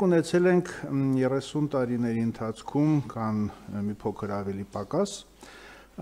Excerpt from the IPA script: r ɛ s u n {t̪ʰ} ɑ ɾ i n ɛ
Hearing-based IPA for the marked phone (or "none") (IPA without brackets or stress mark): t̪